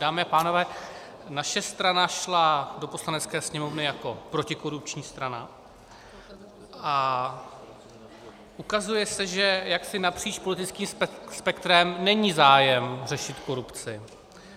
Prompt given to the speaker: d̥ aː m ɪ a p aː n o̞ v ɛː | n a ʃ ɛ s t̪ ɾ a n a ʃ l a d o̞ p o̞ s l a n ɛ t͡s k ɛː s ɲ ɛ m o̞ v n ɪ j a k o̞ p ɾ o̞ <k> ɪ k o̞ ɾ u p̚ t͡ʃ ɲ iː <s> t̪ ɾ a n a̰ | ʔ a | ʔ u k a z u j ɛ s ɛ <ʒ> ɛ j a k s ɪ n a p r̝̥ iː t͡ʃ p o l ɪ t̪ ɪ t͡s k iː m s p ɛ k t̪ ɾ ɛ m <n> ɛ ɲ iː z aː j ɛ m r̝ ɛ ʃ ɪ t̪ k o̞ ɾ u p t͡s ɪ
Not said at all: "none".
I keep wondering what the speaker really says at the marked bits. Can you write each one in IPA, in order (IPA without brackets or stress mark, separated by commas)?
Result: c, s, ʒ, n